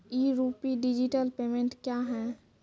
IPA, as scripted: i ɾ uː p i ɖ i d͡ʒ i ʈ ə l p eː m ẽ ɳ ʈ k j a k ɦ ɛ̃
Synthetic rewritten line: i ɾ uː p i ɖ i d͡ʒ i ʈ ə l p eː m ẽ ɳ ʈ k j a ɦ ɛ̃